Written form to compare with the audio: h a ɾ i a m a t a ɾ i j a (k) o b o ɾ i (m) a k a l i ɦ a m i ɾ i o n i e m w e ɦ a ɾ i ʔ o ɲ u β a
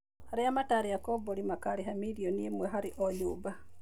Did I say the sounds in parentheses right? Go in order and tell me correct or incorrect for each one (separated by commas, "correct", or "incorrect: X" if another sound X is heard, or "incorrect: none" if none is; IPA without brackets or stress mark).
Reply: correct, correct